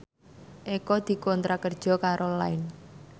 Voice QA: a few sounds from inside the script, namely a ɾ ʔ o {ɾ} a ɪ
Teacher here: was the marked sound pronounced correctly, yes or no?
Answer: no